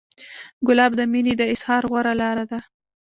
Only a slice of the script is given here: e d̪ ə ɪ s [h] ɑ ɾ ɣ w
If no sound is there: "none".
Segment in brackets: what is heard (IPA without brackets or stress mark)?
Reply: h